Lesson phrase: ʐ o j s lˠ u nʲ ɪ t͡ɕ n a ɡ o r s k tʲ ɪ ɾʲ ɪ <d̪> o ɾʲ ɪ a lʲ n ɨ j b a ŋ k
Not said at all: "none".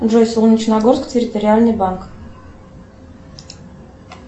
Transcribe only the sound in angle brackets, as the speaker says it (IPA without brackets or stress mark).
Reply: t̪